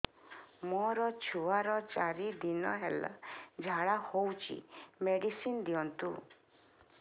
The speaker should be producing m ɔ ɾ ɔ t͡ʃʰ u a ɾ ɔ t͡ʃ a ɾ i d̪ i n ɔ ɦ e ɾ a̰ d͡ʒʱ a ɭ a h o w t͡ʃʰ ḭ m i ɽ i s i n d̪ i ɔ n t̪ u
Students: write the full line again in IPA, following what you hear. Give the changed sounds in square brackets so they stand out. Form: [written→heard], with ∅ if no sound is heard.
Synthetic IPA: m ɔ ɾ ɔ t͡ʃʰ u a ɾ ɔ t͡ʃ a ɾ i d̪ i n ɔ ɦ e [ɾ→l] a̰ d͡ʒʱ a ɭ a h o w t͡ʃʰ ḭ m [i→e] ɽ i s i n d̪ i ɔ n t̪ u